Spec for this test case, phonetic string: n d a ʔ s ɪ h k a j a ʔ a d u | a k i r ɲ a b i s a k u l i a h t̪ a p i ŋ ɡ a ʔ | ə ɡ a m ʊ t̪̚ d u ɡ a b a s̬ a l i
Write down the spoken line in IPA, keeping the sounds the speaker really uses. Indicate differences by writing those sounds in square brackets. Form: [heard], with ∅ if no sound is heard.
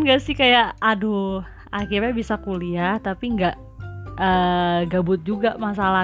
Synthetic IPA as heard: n [ɡ] a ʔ s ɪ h k a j a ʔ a d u | a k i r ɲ a b i s a k u l i a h t̪ a p i ŋ ɡ a ʔ | ə ɡ a [b] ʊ t̪̚ [d͡ʒ] u ɡ a [m] a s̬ a l [a]